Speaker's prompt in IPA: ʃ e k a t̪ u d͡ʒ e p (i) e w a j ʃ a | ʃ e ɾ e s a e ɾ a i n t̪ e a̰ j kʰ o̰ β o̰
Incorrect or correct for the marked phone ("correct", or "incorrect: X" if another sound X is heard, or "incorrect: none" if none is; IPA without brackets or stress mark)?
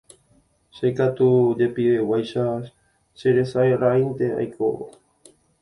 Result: correct